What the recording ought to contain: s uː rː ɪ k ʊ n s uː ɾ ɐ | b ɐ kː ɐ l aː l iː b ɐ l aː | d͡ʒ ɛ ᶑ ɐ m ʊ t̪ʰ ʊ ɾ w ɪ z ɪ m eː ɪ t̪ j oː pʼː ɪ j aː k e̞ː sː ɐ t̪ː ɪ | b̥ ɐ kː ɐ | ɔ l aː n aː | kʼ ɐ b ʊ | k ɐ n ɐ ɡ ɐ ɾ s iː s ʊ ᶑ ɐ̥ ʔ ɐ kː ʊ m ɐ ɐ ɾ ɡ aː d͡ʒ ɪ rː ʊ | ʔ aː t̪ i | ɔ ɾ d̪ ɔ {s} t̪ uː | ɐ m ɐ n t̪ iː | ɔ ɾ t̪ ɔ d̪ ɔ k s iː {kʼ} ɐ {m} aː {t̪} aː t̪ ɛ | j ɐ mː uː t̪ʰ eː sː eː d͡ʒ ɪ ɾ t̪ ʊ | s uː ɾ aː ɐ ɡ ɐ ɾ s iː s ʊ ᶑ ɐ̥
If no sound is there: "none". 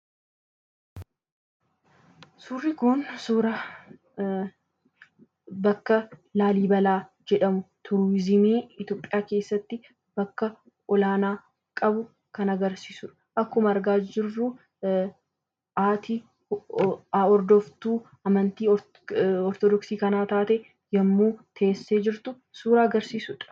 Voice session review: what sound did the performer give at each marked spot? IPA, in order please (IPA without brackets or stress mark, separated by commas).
f, k, n, t̪